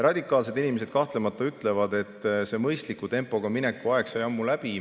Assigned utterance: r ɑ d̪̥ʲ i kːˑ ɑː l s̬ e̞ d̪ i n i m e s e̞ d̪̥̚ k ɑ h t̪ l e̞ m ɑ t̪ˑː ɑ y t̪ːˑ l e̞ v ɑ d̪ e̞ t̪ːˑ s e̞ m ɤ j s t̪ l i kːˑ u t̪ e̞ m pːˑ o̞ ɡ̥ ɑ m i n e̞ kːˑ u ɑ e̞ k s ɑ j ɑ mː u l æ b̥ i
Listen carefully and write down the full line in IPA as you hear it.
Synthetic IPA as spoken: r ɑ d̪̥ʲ i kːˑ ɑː l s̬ e̞ d̪ i n i m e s e̞ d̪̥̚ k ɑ h t̪ l e̞ m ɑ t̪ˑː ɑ y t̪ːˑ l e̞ v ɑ d̪ e̞ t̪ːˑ s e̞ m ɤ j s t̪ l i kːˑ u t̪ e̞ m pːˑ o̞ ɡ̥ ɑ m i n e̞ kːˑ u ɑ e̞ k s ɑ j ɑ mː u l æ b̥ i